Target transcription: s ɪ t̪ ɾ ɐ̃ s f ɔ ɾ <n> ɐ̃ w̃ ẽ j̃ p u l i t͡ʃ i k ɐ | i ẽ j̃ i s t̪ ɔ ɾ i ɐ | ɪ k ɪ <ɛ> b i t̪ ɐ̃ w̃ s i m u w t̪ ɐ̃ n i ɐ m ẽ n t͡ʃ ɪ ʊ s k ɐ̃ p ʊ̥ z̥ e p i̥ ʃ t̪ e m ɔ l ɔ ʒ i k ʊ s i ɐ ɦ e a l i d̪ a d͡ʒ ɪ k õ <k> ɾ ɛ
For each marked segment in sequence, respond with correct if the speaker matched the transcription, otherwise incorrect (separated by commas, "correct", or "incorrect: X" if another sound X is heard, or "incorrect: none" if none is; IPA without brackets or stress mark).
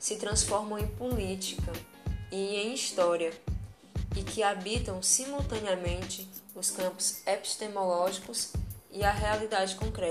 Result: incorrect: m, incorrect: a, correct